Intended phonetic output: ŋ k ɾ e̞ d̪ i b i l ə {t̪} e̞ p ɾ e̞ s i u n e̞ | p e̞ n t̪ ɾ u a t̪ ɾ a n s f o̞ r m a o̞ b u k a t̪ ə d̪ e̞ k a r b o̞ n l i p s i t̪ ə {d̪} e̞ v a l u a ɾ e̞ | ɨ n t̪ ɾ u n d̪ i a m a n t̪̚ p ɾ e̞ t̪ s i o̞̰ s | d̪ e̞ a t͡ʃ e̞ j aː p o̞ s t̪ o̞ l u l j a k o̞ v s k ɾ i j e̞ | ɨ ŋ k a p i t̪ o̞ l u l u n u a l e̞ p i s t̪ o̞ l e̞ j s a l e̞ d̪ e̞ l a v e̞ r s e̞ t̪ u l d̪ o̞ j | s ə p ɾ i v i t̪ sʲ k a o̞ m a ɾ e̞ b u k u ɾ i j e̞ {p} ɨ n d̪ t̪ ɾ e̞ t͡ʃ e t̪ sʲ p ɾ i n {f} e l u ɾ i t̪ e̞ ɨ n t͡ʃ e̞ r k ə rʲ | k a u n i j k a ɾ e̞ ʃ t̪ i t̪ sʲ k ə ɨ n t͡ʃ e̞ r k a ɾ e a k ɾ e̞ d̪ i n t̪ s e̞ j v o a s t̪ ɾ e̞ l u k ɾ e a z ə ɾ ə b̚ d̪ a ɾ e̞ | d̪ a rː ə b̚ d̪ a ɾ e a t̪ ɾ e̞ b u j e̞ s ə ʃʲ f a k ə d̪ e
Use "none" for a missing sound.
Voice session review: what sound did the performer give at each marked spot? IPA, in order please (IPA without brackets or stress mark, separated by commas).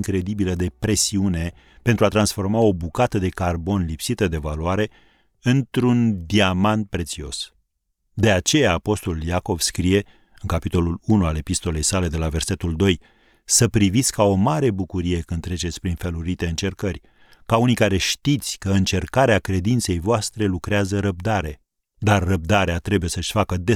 d̪, d̪, k, f